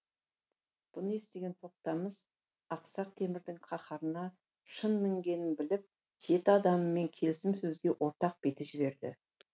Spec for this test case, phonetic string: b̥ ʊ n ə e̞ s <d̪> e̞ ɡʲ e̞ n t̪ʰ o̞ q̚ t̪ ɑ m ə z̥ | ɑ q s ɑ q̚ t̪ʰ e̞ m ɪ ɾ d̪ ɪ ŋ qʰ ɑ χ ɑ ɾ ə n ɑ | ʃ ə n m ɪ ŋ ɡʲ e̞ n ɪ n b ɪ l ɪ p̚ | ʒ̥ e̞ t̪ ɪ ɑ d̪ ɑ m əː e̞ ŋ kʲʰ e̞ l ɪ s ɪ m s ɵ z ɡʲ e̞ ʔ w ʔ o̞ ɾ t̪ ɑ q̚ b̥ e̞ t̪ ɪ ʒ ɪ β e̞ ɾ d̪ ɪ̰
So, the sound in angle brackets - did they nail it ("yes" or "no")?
no